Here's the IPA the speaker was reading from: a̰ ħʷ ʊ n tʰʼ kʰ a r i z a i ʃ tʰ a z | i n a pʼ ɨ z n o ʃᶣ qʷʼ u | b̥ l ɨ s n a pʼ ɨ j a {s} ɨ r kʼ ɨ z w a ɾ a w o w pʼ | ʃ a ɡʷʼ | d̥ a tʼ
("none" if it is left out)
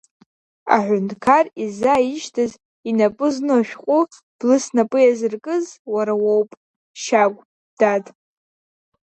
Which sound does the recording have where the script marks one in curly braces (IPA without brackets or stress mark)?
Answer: z